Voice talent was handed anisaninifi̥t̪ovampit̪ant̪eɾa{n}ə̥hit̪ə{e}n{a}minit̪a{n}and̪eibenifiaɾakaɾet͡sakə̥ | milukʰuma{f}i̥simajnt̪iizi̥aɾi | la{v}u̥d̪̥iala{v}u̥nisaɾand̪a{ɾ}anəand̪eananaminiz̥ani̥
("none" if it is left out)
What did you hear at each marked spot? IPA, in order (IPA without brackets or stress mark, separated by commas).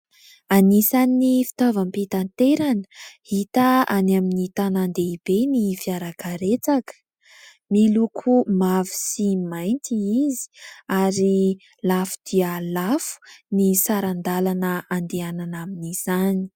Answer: n, a, a, n, v, f, f, l